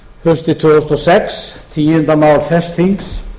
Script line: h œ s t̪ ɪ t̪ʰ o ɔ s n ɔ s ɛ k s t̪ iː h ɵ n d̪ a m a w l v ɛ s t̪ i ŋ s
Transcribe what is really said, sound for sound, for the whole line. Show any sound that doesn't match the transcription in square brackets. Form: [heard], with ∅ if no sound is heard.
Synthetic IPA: h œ s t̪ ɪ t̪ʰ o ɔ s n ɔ s ɛ k s [t̪ʰ] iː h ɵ n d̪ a m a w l [f] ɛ s t̪ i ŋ s

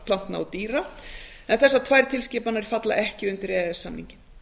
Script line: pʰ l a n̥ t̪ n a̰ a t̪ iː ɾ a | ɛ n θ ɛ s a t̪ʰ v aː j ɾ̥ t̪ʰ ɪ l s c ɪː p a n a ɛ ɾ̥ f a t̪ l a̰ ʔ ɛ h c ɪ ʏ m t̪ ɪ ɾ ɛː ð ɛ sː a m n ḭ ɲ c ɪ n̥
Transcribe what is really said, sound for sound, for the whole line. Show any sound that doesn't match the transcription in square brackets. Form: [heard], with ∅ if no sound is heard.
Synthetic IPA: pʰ l a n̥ t̪ n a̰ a t̪ iː ɾ a | ɛ n θ ɛ [sː] a t̪ʰ v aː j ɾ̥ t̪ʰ ɪ l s c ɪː p a n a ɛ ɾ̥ f a t̪ l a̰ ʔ ɛ h c ɪ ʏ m t̪ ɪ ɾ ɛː ð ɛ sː a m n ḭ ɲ c ɪ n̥

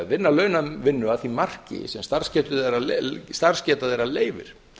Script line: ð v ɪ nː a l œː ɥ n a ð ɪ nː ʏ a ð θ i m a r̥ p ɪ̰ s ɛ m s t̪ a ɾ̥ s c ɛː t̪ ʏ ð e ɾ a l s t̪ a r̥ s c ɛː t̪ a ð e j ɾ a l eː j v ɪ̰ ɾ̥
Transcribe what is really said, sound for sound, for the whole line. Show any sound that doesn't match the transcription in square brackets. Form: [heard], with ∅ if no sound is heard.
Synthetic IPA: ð v ɪ nː a l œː ɥ n a [v] ɪ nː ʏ a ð θ i m a r̥ [c] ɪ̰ s ɛ m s t̪ a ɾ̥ s c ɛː t̪ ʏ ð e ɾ a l s t̪ a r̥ s c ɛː t̪ a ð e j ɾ a l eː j v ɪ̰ ɾ̥

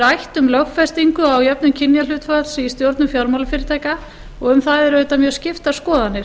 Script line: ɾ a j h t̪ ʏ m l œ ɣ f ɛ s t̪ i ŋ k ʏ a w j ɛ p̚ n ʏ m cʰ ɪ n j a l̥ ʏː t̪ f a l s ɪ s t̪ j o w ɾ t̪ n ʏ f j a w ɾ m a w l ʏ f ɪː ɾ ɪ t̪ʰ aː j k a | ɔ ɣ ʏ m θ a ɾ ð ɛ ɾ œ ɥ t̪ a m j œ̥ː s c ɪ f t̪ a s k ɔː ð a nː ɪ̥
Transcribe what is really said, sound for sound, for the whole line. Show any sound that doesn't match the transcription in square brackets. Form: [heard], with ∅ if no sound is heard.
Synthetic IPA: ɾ a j h t̪ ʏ m l œ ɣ f ɛ s t̪ i ŋ k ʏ a w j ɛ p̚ n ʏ m cʰ ɪ n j a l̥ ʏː t̪ f a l s [i] s t̪ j o w ɾ t̪ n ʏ f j a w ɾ m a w l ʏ f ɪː ɾ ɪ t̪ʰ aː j k a | ɔ ɣ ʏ m θ a [∅] ð ɛ ɾ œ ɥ t̪ a m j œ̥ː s c ɪ f t̪ a s k ɔː ð a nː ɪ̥

